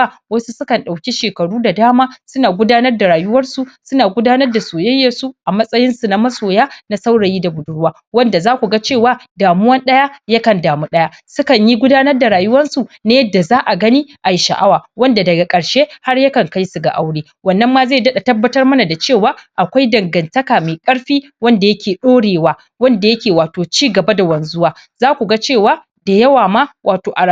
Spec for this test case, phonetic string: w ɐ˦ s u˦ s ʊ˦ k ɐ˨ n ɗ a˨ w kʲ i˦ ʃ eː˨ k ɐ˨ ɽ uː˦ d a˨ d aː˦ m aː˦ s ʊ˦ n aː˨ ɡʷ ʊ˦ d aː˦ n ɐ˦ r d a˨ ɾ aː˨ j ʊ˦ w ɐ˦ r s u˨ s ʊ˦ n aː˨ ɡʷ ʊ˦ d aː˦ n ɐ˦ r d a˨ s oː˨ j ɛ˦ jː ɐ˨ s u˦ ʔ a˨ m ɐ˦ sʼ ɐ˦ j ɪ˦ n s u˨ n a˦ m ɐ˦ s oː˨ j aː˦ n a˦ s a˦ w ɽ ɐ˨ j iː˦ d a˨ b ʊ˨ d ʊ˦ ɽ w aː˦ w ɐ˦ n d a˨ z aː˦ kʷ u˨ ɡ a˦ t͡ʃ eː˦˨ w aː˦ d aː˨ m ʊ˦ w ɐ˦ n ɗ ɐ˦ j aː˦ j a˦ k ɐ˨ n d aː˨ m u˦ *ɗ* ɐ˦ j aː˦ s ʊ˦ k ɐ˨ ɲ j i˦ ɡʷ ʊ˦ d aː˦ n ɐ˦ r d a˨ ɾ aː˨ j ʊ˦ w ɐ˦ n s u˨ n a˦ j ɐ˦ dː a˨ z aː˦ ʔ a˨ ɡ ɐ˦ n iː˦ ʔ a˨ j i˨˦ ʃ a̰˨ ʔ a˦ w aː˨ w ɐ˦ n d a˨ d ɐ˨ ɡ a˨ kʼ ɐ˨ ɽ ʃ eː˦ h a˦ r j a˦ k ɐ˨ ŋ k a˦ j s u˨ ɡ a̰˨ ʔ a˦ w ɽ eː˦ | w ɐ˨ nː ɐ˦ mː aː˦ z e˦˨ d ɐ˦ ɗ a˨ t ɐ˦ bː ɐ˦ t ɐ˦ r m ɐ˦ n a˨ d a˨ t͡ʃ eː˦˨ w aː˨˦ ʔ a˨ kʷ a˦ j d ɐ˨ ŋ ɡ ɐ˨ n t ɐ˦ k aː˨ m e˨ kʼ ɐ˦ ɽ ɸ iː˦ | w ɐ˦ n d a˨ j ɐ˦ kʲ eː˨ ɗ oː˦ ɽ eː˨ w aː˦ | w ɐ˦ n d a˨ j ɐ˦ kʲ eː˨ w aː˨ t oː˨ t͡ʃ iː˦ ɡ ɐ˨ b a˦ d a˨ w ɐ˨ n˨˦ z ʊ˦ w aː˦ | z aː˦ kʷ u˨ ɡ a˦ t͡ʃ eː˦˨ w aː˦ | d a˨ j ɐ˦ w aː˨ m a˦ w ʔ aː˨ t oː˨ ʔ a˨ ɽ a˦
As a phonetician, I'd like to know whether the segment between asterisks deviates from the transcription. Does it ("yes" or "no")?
no